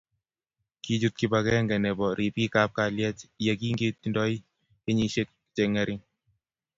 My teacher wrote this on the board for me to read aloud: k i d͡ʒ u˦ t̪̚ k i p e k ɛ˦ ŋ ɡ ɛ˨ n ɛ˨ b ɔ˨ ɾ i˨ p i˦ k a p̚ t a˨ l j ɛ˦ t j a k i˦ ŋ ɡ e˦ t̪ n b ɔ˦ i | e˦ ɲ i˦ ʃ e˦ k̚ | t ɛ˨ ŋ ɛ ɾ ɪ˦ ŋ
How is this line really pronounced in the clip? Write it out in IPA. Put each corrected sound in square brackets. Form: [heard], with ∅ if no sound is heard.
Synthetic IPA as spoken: k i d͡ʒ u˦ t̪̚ k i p [a] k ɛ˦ ŋ ɡ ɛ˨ n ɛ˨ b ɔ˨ ɾ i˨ p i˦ k a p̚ [k] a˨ l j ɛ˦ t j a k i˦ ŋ ɡ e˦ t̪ n [d] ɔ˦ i | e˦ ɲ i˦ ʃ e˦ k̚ | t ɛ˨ ŋ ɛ ɾ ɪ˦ ŋ

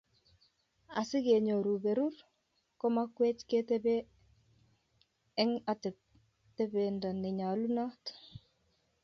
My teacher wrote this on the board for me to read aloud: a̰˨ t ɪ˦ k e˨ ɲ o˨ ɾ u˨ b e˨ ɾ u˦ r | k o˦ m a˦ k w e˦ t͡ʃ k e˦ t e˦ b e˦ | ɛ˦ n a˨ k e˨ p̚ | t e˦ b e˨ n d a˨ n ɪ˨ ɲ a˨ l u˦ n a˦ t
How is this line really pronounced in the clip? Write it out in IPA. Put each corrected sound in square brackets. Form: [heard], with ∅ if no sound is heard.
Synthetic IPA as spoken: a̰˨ [s] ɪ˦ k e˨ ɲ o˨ ɾ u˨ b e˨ ɾ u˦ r | k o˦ m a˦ k w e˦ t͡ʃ k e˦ t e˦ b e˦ | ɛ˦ [ŋ] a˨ [t] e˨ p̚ | t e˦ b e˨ n d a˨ n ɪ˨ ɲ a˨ l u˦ n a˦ t

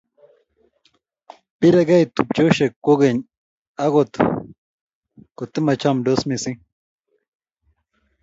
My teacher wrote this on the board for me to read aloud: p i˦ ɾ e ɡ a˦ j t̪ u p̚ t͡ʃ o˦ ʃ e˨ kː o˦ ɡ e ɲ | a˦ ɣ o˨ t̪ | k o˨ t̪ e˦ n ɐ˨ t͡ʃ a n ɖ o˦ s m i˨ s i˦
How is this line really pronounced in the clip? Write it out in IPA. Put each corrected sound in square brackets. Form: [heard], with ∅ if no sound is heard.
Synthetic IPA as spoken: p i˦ ɾ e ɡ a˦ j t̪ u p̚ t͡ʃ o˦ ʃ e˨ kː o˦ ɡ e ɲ | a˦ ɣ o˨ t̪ | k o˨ t̪ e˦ [m] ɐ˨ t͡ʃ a [m] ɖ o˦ s m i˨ s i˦

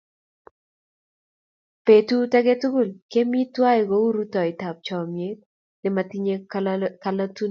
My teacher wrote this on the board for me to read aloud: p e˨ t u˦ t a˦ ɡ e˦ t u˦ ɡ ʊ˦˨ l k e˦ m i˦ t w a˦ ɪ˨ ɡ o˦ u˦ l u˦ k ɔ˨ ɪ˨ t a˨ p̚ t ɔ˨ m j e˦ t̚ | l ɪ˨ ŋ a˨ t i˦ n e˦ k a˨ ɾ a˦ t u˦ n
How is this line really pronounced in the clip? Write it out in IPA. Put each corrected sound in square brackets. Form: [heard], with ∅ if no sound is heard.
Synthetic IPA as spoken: p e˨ t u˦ t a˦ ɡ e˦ t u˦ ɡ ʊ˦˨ l k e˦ m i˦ t w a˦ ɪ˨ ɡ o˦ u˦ [ɾ] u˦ [t] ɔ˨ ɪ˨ t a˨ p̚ [t͡ʃ] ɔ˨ m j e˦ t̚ | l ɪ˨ [m] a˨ t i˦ [ɲ] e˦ k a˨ [l] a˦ t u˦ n

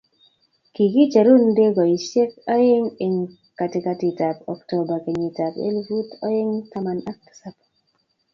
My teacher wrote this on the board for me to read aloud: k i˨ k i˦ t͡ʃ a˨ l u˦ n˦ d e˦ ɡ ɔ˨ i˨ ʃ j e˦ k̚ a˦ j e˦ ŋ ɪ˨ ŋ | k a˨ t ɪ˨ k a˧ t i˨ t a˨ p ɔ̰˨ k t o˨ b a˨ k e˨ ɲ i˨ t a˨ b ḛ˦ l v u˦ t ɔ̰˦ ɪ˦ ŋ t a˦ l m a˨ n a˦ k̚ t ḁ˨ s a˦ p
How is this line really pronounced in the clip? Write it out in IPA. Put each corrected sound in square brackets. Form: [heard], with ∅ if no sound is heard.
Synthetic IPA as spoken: k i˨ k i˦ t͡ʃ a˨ [ɾ] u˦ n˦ d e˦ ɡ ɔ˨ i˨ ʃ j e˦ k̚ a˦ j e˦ ŋ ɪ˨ ŋ | k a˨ t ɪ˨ k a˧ t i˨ t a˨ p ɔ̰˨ k t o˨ b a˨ k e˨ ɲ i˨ t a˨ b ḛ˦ l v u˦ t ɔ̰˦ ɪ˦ ŋ t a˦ [∅] m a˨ n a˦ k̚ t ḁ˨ s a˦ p

